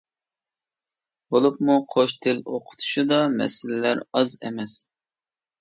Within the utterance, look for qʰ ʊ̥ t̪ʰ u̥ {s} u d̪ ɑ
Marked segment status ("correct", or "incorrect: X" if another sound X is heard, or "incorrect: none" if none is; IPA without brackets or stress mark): incorrect: ʃ